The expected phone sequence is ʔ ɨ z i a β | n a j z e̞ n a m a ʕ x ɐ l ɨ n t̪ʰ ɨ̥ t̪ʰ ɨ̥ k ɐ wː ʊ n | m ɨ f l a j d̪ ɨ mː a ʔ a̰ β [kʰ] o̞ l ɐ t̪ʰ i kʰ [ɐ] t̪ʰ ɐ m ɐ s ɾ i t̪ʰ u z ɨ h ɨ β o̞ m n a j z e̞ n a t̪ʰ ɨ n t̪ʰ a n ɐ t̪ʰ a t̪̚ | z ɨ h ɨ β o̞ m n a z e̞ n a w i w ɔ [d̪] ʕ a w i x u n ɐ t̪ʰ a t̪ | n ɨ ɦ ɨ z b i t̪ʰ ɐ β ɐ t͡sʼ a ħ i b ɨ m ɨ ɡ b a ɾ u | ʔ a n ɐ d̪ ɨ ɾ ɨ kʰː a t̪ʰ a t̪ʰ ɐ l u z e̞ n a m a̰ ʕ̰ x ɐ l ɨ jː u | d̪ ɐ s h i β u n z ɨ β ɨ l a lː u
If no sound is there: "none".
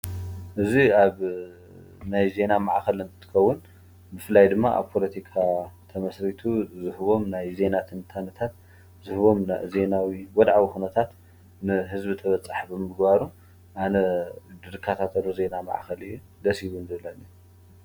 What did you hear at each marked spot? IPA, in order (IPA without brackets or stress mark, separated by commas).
pʰ, a, d̪